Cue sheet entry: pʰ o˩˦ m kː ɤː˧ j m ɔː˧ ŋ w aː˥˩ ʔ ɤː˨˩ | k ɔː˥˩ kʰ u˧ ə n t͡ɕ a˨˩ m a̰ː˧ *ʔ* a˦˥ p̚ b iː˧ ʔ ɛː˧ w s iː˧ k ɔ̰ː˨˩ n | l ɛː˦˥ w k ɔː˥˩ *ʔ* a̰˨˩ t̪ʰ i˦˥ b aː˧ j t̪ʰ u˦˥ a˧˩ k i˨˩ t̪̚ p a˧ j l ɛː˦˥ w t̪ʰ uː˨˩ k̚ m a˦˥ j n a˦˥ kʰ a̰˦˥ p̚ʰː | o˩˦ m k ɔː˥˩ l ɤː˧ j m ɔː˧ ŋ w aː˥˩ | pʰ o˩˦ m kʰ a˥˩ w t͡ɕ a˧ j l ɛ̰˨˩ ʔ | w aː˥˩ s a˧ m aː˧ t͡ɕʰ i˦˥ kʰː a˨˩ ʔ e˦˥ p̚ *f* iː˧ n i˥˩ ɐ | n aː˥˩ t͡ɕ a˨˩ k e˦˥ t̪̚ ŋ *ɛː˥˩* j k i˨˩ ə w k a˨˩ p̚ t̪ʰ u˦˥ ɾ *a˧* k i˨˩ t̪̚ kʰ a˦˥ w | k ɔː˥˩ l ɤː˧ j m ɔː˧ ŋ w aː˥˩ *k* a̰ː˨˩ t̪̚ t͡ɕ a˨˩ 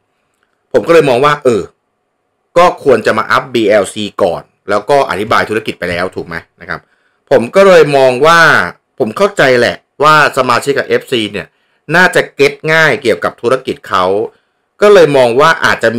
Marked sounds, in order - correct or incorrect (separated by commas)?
correct, correct, incorrect, incorrect, correct, incorrect